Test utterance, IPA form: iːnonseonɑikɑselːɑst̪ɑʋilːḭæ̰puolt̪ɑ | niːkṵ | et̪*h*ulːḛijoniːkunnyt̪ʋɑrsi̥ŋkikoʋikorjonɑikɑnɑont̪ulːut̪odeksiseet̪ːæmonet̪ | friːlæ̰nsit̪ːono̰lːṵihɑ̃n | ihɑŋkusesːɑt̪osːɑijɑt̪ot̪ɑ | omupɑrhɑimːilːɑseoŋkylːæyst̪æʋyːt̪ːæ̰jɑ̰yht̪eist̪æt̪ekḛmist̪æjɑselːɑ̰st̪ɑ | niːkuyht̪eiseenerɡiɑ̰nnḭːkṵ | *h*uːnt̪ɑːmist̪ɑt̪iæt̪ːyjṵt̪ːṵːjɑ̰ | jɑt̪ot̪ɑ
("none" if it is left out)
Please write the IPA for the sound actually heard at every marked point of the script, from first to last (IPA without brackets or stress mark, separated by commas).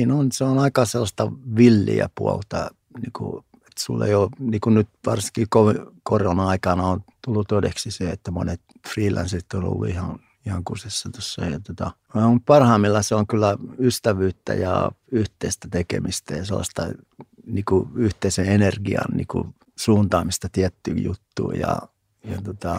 s, s